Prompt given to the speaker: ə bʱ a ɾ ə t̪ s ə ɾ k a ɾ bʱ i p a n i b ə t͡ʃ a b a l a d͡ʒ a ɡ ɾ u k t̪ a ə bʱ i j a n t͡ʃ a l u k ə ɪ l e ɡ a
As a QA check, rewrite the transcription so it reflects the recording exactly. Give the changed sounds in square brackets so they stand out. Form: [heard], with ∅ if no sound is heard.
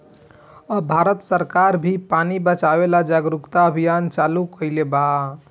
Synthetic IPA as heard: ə bʱ a ɾ ə t̪ s ə ɾ k a ɾ bʱ i p a n i b ə t͡ʃ a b [e] l a d͡ʒ a ɡ ɾ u k t̪ a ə bʱ i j a n t͡ʃ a l u k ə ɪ l e [b] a